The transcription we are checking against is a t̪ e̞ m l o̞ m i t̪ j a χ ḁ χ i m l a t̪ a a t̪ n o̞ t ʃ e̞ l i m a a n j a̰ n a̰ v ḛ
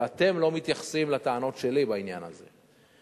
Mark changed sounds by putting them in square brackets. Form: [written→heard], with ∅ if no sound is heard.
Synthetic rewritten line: a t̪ e̞ m l o̞ m i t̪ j a χ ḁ [χ→s] i m l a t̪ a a [t̪→∅] n o̞ t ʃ e̞ l i [m→b] a [a→i] n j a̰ n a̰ [v→z] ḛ